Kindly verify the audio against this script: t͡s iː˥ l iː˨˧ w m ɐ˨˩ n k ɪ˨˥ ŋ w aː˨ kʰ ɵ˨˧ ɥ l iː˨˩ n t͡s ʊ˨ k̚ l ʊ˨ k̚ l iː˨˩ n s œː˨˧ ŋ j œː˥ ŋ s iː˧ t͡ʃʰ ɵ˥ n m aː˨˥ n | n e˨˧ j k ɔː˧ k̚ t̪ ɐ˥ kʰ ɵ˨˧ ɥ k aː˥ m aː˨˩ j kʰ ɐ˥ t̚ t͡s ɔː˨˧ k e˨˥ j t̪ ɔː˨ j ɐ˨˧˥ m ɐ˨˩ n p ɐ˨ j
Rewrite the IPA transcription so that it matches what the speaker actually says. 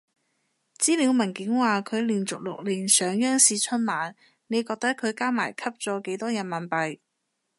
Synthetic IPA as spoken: t͡s iː˥ l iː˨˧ w m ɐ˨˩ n k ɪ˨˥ ŋ w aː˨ kʰ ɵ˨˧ ɥ l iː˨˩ n t͡s ʊ˨ k̚ l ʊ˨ k̚ l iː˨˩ n s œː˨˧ ŋ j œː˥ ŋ s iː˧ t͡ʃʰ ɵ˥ n m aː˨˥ n | n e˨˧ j k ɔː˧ k̚ t̪ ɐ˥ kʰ ɵ˨˧ ɥ k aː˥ m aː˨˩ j kʰ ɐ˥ p̚ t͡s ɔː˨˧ k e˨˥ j t̪ ɔː˥ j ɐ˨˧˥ m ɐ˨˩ n p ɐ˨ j

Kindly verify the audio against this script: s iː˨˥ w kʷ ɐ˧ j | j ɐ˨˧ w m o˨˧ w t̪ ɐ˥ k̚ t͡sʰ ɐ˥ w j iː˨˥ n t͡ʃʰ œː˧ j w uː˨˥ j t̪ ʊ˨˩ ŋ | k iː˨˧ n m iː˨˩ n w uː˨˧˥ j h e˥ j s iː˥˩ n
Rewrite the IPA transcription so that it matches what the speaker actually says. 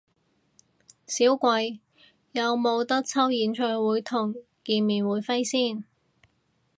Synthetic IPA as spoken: s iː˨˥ w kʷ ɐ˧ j | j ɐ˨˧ w m o˨˧ w t̪ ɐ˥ k̚ t͡sʰ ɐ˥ w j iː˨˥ n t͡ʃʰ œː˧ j w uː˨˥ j t̪ʰ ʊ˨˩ ŋ | k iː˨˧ n m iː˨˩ n w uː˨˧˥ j f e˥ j s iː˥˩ n

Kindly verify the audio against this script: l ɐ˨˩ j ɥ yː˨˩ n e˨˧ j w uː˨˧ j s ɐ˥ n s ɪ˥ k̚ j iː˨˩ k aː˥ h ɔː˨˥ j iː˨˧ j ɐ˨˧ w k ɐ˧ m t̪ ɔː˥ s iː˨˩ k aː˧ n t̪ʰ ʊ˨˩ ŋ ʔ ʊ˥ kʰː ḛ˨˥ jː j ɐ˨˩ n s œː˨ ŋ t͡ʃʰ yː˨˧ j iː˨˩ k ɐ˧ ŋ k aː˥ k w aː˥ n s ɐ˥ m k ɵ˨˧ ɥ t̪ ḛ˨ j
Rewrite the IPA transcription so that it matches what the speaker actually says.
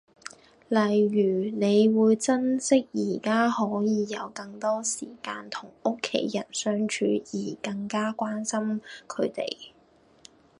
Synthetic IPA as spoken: l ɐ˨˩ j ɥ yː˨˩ n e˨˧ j w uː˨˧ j t͡s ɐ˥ n s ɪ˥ k̚ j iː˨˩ k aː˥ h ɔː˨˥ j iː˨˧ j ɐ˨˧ w k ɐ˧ ŋ t̪ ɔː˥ s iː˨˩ k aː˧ n t̪ʰ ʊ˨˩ ŋ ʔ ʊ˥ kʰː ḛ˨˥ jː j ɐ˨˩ n s œː˥ ŋ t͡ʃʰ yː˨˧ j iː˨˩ k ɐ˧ ŋ k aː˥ k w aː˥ n s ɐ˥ m kʰ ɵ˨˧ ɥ t̪ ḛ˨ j

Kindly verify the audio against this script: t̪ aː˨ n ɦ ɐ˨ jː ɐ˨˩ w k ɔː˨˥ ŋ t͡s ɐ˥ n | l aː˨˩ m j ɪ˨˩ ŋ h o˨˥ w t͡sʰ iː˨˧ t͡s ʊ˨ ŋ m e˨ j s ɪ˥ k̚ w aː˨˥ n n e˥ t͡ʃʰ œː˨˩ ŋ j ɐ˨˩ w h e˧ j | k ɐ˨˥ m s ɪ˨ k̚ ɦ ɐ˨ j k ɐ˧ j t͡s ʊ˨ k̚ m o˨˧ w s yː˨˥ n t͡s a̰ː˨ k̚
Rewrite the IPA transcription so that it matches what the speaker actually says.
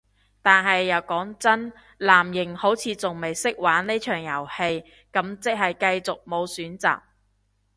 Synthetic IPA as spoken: t̪ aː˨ n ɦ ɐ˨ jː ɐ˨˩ w k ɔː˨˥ ŋ t͡s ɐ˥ n | l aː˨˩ m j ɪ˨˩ ŋ h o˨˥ w t͡sʰ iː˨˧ t͡s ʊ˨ ŋ m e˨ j s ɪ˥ k̚ w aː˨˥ n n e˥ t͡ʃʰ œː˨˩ ŋ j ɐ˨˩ w h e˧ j | k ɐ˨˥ m t͡s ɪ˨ k̚ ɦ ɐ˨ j k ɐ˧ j t͡s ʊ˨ k̚ m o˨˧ w s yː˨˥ n t͡s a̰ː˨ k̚

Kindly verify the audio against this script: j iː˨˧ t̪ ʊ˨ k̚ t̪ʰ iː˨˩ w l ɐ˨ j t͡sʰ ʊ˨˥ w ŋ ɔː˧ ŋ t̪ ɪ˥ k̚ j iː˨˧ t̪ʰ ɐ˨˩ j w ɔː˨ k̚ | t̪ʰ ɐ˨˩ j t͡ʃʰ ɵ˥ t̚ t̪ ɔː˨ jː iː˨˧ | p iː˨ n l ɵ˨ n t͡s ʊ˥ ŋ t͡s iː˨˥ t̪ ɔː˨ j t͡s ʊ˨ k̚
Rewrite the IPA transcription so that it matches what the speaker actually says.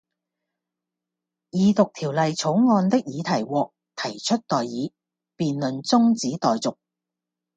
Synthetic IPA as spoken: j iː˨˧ t̪ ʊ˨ k̚ t̪ʰ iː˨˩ w l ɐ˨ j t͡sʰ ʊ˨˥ w ŋ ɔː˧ n t̪ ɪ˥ k̚ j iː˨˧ t̪ʰ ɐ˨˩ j w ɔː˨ k̚ | t̪ʰ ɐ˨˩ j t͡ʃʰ ɵ˥ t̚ t̪ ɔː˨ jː iː˨˧ | p iː˨ n l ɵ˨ n t͡s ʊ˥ ŋ t͡s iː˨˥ t̪ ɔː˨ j t͡s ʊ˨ k̚

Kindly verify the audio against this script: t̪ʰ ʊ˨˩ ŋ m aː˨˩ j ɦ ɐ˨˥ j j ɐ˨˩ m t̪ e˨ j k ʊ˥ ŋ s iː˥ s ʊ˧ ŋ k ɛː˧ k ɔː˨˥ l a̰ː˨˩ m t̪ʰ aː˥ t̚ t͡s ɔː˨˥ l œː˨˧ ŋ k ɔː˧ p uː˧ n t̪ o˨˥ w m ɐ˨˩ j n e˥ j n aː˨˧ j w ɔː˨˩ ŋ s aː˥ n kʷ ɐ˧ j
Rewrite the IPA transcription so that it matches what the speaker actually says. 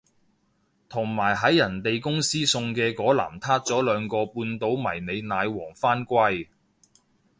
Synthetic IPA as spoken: t̪ʰ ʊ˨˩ ŋ m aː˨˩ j ɦ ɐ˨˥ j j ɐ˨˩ n t̪ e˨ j k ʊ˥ ŋ s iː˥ s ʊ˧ ŋ k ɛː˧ k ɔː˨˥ l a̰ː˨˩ m t̪ʰ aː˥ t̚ t͡s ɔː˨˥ l œː˨˧ ŋ k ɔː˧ p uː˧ n t̪ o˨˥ w m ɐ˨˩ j n e˨˧ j n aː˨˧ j w ɔː˨˩ ŋ f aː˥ n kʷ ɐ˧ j

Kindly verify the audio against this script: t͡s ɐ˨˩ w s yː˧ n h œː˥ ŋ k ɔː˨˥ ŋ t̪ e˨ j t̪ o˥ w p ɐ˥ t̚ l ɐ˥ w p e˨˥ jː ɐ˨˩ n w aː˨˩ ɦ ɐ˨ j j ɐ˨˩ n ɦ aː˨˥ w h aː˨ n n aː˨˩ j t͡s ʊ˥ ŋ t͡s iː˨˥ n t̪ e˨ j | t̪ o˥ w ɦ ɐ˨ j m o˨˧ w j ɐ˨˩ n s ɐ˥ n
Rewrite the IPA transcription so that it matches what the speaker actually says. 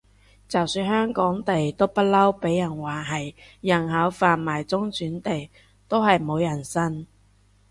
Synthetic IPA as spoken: t͡s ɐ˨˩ w s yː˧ n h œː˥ ŋ k ɔː˨˥ ŋ t̪ e˨ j t̪ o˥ w p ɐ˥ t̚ l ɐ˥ w p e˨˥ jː ɐ˨˩ n w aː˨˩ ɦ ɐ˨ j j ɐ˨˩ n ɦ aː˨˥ w f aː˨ n m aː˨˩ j t͡s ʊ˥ ŋ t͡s yː˨˥ n t̪ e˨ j | t̪ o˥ w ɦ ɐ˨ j m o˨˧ w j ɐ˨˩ n s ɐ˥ n

